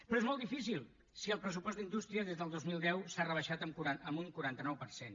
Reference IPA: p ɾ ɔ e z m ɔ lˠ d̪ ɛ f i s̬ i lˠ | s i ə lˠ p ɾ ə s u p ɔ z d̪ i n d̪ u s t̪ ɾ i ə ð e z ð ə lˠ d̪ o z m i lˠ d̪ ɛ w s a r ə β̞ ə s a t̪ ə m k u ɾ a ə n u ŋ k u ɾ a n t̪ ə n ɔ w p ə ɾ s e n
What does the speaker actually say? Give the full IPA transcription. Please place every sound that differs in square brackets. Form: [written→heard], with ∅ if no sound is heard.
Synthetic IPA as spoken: p ɾ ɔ e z m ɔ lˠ d̪ [ɛ→i] f i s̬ i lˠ | s i ə lˠ p ɾ ə s u p ɔ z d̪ i n d̪ u s t̪ ɾ i ə ð e z ð ə lˠ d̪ o z m i lˠ d̪ ɛ w s a r ə β̞ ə [s→ʃ] a t̪ ə m k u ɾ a ə [n→m] u ŋ k u ɾ a n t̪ ə n ɔ w p ə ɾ s e n

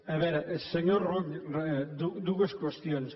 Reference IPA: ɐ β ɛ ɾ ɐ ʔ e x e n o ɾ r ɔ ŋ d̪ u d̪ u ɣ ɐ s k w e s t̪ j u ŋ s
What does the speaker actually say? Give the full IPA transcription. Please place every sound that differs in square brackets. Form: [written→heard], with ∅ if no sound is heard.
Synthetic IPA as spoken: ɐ β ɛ ɾ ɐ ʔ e [x→s] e [n→ɲ] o ɾ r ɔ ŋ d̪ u d̪ u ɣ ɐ s k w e s t̪ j [u→o] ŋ s

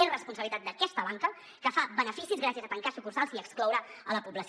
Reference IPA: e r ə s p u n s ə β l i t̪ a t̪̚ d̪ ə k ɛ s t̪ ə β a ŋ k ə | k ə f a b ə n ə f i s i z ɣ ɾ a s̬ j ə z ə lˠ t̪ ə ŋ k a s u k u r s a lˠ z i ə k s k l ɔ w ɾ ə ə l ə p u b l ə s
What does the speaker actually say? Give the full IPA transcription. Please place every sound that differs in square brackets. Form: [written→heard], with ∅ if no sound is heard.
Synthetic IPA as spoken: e r ə s p u n s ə β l i t̪ a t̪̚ d̪ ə k ɛ s t̪ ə β a ŋ k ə | k ə f a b ə n ə f i s i z ɣ ɾ a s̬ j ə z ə [lˠ→∅] t̪ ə ŋ k a s u k u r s a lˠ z i ə k s k l ɔ w ɾ ə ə l ə p u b l ə s

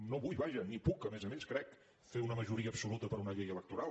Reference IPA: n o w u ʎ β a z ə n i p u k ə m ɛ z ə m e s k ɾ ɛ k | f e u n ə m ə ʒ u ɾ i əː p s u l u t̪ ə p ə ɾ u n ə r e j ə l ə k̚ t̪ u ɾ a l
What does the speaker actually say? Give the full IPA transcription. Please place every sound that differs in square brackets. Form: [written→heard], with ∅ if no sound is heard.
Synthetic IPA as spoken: n o [w→β] u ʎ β a [z→ʒ] ə n i p u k ə m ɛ z ə m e s k ɾ ɛ k | f e u n ə m ə ʒ u ɾ i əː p s u l u t̪ ə p ə ɾ u n ə [r→ʎ] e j ə l ə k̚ t̪ u ɾ a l

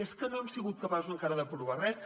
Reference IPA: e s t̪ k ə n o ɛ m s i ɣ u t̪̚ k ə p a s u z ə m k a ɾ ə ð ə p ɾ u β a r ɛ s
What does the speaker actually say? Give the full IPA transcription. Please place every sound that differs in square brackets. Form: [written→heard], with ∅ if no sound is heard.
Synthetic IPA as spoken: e s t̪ k ə n o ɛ m s i ɣ u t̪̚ k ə p a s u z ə [m→ŋ] k a ɾ ə ð ə p ɾ u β a r ɛ s

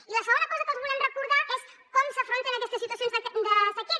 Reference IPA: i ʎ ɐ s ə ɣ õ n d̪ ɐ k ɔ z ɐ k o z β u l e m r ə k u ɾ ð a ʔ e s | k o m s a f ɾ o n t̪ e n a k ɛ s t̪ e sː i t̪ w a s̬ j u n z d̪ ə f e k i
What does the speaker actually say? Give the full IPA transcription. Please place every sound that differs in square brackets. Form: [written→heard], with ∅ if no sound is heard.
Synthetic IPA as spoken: i [ʎ→l] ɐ s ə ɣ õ n d̪ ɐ k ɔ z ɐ k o z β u l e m r ə k u ɾ ð a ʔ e s | k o m s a f ɾ o n t̪ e n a k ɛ s t̪ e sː i t̪ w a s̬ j [u→o] n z d̪ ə [f→s] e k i

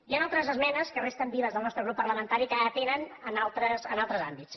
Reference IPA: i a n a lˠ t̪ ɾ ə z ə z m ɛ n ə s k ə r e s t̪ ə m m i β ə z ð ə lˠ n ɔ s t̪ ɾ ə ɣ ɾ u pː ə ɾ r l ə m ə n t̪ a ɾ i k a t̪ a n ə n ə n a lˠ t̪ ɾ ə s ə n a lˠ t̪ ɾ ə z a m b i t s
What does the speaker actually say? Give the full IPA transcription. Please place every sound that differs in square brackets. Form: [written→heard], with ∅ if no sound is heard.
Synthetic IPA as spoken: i a n a lˠ t̪ ɾ ə z ə z m ɛ n ə s k ə r e s t̪ ə m [m→b] i β ə z ð ə lˠ n ɔ s t̪ ɾ ə ɣ ɾ u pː ə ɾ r l ə m ə n t̪ a ɾ i k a t̪ [a→e] n ə n ə n a lˠ t̪ ɾ ə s ə n a lˠ t̪ ɾ ə z a m b i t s

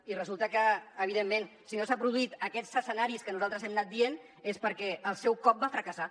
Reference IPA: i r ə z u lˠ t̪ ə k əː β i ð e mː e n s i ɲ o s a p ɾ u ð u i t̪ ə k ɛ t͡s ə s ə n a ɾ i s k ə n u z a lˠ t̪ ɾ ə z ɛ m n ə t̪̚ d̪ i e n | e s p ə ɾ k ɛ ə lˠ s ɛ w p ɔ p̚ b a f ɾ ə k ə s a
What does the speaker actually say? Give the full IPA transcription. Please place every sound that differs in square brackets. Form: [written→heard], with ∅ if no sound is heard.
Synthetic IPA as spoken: i r ə z u lˠ t̪ ə k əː β i ð e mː e n s i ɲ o s a p ɾ u ð u i t̪ ə k ɛ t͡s ə s ə n a ɾ i s k ə n u z a lˠ t̪ ɾ ə z ɛ m n [ə→a] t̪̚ d̪ i e n | e s p ə ɾ k ɛ ə lˠ s ɛ w [p→k] ɔ p̚ b a f ɾ ə k ə s a

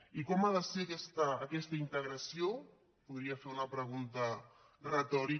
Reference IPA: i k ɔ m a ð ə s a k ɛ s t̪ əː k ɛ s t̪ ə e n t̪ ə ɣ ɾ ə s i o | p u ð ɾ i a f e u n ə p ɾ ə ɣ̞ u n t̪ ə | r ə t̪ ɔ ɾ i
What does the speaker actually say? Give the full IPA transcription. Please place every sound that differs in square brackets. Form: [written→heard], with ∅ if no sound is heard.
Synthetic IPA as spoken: i k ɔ m a ð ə s [a→e] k ɛ s t̪ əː k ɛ s t̪ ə [e→i] n t̪ ə ɣ ɾ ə s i o | p u ð ɾ i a f e u n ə p ɾ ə ɣ̞ u n t̪ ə | r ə t̪ ɔ ɾ i

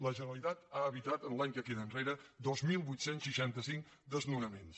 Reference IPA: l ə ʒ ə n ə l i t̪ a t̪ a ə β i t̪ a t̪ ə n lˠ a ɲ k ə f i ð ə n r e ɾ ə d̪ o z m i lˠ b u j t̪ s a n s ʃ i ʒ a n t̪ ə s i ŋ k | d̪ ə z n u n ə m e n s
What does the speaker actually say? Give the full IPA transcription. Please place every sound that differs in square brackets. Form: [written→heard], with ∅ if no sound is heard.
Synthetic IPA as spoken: l ə ʒ ə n ə l i t̪ a t̪ a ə β i t̪ a t̪ ə n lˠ a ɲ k ə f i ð ə n r e ɾ ə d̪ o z m i lˠ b u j t̪ s [a→e] n s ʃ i [ʒ→ʃ] a n t̪ ə s i ŋ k | d̪ ə z n u n ə m e n s

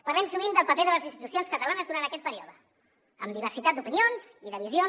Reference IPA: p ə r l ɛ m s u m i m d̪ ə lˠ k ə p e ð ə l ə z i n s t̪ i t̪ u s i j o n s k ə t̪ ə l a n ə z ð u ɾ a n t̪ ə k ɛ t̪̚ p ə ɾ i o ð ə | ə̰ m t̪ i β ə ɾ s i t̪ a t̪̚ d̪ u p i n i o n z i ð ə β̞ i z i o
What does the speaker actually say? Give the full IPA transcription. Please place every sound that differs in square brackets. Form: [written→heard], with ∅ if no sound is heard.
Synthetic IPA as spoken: p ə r l ɛ m s u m i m d̪ ə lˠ [k→p] ə p e ð ə l ə z i n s t̪ i t̪ u s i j o n s k ə t̪ ə l a n ə z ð u ɾ a n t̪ ə k ɛ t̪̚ p ə ɾ i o ð ə | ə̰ m [t̪→d̪] i β ə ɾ s i t̪ a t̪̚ d̪ u p i n i o n z i ð ə β̞ i z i o

